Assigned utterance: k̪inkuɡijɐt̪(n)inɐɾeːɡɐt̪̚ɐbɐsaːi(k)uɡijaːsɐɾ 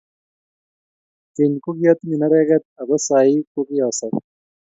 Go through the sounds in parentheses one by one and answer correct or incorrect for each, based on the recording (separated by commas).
incorrect, correct